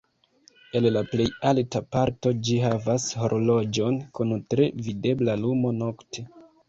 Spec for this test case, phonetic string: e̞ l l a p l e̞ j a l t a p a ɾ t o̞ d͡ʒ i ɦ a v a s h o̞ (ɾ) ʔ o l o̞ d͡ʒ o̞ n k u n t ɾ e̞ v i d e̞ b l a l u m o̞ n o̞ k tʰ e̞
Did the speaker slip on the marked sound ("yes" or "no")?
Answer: no